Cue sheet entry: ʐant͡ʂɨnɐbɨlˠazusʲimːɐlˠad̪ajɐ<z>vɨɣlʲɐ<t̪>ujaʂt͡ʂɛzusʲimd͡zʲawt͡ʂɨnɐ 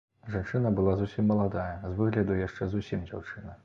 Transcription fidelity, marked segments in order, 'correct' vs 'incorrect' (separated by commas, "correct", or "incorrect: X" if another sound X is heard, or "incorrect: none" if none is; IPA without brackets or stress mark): correct, incorrect: d̪